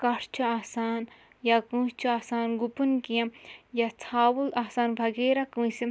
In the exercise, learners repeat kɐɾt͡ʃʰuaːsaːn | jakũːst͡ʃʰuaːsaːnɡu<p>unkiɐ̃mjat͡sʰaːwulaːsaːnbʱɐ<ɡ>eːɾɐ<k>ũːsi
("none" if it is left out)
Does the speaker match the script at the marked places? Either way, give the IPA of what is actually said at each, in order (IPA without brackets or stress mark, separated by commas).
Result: p, ɡ, k